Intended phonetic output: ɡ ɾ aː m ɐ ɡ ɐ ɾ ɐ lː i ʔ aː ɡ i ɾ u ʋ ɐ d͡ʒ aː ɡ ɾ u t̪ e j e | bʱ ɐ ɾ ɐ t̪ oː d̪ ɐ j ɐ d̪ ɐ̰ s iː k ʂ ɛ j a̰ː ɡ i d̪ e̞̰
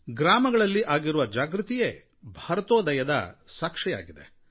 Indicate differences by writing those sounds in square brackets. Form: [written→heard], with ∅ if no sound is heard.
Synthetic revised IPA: ɡ ɾ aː m ɐ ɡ ɐ [ɾ→ɭ] ɐ lː i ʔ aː ɡ i ɾ u ʋ ɐ d͡ʒ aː ɡ ɾ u t̪ [e→i] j e | bʱ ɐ ɾ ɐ t̪ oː d̪ ɐ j ɐ d̪ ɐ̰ s [iː→aː] k ʂ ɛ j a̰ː ɡ i d̪ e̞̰